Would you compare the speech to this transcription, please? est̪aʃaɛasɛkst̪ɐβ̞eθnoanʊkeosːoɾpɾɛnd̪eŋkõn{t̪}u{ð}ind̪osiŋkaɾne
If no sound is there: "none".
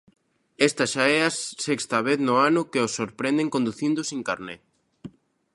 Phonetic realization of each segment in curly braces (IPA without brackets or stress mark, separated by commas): d̪, θ